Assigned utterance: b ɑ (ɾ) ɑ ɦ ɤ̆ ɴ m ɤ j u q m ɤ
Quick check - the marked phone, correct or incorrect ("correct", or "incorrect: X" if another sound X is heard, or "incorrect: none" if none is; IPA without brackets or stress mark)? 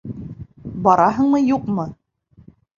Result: correct